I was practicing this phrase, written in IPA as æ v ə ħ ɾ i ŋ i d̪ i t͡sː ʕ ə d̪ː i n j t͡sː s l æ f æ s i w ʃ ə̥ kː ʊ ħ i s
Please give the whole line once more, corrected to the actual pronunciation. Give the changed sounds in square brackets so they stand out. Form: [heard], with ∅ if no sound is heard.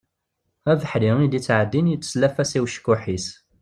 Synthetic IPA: æ v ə ħ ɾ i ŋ i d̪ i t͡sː ʕ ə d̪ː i n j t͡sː s l æ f æ s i w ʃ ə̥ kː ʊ ħ i s